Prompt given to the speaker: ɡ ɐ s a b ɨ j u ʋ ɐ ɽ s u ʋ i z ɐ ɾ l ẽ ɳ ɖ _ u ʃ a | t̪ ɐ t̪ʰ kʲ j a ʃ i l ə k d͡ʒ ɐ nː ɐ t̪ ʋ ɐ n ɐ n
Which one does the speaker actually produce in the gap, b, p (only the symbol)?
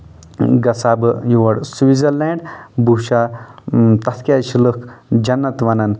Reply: b